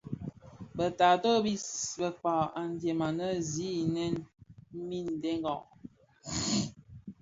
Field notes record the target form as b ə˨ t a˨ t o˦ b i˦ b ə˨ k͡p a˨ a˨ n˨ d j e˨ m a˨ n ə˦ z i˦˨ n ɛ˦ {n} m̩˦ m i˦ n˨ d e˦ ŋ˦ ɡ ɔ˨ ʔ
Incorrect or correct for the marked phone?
correct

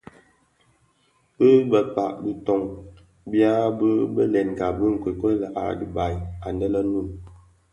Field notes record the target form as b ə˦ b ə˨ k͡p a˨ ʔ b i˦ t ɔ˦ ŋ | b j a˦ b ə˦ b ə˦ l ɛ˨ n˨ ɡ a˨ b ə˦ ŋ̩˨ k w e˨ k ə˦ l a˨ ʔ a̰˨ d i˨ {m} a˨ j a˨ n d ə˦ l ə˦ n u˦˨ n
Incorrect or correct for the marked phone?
incorrect: b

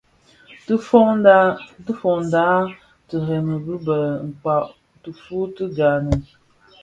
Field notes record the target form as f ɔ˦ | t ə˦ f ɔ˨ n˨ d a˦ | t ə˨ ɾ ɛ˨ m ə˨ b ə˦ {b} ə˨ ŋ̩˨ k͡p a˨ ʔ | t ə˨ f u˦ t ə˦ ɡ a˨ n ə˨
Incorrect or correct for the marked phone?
correct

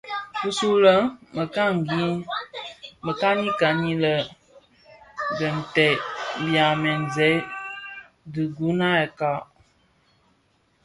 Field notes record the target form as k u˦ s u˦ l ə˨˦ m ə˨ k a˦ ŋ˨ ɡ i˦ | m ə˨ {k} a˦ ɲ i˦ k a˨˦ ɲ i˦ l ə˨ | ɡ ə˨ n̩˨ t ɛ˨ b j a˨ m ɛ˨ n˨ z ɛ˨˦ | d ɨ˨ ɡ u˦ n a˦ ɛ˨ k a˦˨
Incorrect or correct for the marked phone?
correct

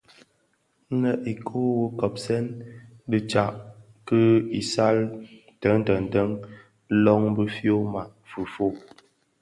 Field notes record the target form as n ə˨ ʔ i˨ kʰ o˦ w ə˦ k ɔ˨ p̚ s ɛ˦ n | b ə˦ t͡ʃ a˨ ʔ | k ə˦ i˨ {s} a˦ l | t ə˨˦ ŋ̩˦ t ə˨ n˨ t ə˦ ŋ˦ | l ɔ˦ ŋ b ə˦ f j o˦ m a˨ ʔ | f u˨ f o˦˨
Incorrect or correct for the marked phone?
correct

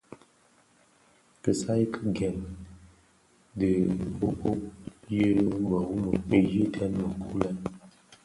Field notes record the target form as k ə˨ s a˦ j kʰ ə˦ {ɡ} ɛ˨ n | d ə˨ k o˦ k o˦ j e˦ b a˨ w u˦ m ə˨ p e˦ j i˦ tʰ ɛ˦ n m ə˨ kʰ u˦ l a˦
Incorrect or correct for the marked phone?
correct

